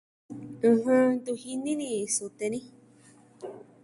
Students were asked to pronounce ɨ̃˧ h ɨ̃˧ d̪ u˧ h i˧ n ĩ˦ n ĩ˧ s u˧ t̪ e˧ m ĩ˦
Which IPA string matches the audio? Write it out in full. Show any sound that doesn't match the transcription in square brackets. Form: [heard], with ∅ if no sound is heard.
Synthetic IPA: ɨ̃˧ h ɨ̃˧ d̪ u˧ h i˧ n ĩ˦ n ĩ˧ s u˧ t̪ e˧ [n] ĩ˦